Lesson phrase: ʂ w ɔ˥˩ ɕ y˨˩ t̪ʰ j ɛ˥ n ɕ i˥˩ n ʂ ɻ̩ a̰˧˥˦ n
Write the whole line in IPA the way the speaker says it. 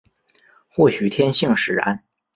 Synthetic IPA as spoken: x w ɔ˥˩ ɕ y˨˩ t̪ʰ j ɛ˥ n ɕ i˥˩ ŋ ʂ ɻ̩ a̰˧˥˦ n